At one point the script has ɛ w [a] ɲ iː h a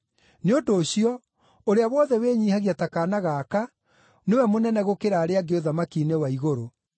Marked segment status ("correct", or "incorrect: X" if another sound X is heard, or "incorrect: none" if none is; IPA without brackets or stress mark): incorrect: e